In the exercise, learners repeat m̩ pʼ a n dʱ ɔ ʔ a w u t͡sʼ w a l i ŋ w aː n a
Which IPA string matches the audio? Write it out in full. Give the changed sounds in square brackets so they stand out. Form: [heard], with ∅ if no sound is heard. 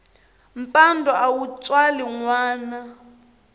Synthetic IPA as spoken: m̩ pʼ a n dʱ ɔ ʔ a w u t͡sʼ w a l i ŋ w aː n a